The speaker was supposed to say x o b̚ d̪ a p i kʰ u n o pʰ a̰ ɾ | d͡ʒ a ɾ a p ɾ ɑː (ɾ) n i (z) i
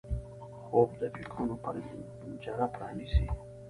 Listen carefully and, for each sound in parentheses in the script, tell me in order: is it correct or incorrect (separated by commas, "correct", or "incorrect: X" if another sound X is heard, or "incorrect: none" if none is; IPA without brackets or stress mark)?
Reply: incorrect: none, incorrect: s